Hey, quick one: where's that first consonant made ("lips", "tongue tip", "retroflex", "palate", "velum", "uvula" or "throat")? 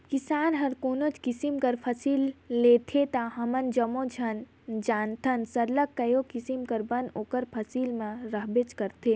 velum